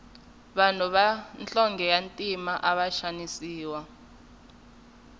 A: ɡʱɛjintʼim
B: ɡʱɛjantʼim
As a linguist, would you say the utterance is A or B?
B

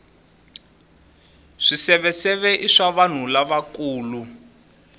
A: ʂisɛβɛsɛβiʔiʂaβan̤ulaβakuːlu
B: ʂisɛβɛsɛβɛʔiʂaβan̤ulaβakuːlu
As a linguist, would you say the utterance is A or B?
B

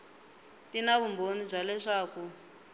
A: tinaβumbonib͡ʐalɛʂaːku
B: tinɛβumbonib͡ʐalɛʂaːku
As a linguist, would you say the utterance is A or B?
A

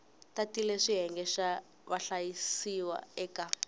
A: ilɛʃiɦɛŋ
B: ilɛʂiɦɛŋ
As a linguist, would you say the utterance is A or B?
B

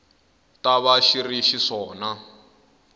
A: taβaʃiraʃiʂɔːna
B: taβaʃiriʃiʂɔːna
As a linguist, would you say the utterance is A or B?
B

